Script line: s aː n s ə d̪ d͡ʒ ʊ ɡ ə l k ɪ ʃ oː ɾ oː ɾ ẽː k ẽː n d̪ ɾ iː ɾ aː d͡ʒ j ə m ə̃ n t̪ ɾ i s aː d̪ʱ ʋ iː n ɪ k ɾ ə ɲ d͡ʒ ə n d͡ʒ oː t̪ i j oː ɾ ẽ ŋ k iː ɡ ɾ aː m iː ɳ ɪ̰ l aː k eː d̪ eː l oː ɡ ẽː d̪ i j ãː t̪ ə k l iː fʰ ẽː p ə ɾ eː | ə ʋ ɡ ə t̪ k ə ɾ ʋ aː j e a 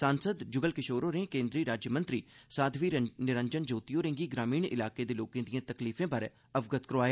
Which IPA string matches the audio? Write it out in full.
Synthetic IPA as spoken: s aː n s ə d̪ d͡ʒ ʊ ɡ ə l k ɪ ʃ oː ɾ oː ɾ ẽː k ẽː n d̪ ɾ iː ɾ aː d͡ʒ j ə m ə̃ n t̪ ɾ iː s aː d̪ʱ ʋ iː n ɪ ɾ ə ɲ d͡ʒ ə n d͡ʒ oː t̪ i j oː ɾ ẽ ŋ ɡ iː ɡ ɾ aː m iː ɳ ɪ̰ l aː k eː d̪ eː l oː k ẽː d̪ i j ãː t̪ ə k l iː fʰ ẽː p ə ɾ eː | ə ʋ ɡ ə t̪ k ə ɾ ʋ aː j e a